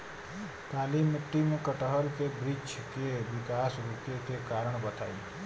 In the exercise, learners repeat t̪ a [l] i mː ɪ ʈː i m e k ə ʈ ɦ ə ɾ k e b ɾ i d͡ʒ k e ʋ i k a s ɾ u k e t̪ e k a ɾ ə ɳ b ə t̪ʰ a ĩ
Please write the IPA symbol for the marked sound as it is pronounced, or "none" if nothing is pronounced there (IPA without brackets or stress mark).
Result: l